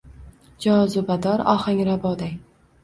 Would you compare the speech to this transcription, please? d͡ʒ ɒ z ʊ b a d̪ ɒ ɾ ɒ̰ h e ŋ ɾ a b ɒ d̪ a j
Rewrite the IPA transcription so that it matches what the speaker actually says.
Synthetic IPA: d͡ʒ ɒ z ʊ b a d̪ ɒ ɾ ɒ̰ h a ŋ ɾ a b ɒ d̪ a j